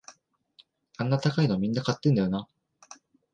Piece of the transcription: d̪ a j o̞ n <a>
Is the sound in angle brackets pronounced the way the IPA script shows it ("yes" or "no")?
yes